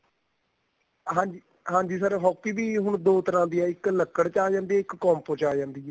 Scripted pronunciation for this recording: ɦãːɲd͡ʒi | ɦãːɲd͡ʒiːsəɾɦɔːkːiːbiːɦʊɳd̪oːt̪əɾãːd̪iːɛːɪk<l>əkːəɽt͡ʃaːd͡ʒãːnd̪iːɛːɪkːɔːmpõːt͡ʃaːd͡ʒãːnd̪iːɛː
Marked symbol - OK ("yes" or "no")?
yes